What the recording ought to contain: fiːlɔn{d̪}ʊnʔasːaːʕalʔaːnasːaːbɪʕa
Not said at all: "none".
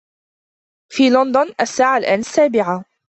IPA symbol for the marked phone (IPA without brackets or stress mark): d̪